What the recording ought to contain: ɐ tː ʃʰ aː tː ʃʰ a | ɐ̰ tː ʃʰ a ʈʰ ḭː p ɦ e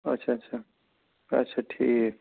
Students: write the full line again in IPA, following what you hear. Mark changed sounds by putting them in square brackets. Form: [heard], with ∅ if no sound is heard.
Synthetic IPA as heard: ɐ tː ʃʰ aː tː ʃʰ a | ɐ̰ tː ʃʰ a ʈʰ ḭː [k] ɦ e